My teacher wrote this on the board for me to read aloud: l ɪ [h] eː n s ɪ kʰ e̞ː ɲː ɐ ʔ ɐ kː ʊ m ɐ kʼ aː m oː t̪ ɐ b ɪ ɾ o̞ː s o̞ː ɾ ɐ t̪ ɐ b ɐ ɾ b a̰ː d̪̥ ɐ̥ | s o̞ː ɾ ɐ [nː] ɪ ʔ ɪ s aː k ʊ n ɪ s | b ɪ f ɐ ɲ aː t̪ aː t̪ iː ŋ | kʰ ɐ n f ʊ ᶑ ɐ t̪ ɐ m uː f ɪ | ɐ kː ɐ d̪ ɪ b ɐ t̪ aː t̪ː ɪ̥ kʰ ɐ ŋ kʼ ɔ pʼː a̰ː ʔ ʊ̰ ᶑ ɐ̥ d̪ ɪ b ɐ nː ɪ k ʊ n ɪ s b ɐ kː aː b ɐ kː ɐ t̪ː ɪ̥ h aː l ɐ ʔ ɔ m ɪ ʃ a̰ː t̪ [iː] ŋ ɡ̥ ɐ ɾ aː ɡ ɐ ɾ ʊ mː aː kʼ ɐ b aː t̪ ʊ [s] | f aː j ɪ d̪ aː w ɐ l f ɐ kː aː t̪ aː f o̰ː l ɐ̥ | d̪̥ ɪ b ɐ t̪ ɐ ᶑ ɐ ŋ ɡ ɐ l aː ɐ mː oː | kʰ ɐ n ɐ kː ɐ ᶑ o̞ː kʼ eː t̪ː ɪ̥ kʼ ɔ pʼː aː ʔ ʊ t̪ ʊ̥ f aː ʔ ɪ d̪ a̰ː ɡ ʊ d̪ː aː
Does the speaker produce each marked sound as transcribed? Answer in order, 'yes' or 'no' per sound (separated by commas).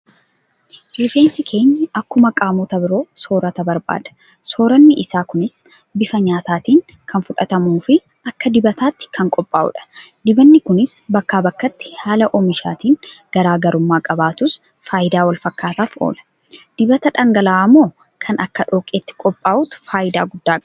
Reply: no, yes, yes, yes